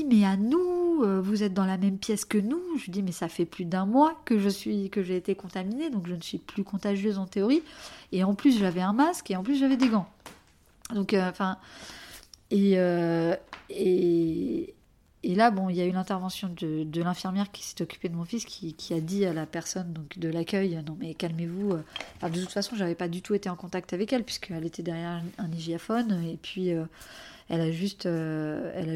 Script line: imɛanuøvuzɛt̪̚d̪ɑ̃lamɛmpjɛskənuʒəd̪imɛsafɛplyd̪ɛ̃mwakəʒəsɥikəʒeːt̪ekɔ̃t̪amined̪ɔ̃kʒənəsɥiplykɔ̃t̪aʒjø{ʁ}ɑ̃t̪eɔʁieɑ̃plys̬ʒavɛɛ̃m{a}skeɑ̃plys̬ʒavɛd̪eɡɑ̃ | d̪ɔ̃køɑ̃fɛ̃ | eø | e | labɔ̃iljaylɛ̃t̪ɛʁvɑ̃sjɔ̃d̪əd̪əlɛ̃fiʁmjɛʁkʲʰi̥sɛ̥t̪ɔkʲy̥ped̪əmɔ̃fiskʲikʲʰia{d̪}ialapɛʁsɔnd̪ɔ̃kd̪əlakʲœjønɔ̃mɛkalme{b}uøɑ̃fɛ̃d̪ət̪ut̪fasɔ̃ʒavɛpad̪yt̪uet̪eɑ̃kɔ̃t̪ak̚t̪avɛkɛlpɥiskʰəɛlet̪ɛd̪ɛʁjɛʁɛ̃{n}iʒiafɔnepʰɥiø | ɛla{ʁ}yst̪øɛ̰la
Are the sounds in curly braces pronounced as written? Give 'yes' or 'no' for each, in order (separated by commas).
no, yes, yes, no, yes, no